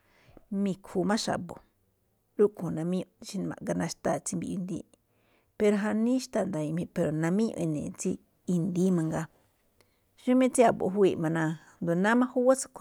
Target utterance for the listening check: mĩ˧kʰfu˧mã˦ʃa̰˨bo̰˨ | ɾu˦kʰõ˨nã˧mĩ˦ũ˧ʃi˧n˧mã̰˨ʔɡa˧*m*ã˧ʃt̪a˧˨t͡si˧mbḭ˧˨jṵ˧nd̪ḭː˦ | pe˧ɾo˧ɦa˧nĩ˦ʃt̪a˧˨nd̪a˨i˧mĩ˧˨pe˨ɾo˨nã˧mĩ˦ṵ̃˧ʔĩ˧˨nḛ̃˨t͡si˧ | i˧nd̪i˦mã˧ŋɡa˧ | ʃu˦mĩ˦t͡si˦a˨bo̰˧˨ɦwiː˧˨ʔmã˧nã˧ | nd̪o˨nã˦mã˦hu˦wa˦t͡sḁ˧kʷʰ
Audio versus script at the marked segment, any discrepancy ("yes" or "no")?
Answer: yes